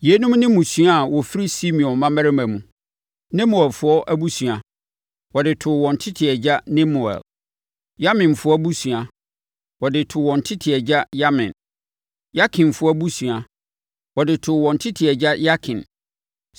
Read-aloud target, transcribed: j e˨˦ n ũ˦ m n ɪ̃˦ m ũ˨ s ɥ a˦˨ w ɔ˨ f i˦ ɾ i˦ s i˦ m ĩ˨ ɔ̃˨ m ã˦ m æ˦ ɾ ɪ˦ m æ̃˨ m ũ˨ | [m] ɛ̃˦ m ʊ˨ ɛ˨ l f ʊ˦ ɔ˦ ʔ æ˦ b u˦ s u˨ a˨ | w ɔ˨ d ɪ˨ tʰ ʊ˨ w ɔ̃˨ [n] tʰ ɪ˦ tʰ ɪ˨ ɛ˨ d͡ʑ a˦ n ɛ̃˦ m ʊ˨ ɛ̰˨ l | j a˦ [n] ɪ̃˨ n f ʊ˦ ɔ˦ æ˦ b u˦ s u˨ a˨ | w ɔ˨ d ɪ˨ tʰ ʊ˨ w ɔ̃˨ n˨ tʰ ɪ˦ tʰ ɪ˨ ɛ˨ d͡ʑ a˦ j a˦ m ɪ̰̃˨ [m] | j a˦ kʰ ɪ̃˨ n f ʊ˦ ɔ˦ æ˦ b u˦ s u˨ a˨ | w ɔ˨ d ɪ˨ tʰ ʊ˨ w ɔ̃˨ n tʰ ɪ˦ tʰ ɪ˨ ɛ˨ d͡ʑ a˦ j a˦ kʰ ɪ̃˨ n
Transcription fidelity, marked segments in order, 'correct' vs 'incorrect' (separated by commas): incorrect, correct, incorrect, incorrect